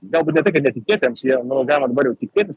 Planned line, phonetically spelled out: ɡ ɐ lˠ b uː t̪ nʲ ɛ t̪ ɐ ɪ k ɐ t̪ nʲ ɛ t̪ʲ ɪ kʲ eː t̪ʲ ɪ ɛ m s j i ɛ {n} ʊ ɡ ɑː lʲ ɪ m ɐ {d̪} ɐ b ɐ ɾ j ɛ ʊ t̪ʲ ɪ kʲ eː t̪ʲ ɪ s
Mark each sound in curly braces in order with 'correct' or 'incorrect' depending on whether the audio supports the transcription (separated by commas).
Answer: correct, correct